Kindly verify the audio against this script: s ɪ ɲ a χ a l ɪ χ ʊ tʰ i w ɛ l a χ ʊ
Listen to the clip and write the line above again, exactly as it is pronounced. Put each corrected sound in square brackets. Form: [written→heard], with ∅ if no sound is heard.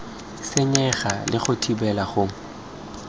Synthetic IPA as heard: s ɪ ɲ [a→ɛ] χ a l ɪ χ ʊ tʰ i [w→b] ɛ l a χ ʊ